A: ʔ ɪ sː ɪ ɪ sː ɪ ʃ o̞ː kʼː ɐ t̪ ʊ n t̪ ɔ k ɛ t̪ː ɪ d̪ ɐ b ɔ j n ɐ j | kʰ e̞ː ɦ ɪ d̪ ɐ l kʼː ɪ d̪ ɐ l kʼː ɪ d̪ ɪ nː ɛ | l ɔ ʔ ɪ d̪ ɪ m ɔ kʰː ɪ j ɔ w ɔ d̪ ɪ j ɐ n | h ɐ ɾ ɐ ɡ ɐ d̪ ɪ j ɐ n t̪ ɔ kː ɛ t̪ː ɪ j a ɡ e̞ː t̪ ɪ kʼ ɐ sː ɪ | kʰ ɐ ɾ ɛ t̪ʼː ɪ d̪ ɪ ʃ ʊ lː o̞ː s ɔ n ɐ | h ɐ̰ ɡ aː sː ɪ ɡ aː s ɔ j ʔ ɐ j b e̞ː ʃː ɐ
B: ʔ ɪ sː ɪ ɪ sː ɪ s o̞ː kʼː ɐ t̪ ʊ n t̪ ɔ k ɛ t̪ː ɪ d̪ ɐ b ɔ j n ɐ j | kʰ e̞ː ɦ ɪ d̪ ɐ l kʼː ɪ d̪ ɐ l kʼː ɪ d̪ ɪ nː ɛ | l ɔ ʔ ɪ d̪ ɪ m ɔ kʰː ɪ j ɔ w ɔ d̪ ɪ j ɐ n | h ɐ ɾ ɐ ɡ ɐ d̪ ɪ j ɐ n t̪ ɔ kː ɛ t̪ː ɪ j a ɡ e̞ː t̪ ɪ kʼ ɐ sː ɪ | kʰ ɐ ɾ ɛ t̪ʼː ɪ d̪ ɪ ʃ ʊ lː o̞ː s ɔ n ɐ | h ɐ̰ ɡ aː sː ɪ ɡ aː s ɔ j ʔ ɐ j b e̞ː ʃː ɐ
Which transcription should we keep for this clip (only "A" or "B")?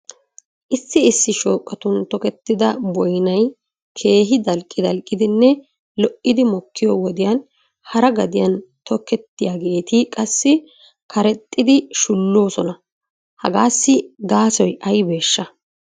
A